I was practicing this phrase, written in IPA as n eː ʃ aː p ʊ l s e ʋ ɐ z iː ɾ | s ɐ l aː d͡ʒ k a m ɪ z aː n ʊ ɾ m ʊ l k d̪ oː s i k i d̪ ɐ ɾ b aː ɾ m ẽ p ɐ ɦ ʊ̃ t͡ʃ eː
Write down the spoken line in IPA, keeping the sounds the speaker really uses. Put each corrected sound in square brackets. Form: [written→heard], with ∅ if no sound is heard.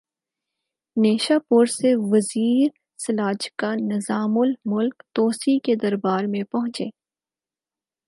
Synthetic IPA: n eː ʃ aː p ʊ [l→ɾ] s e ʋ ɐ z iː ɾ | s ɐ l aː d͡ʒ k a [m→n] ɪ z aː [n→m] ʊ [ɾ→l] m ʊ l k [d̪→t̪] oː s i k [i→e] d̪ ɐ ɾ b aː ɾ m ẽ p ɐ ɦ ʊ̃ t͡ʃ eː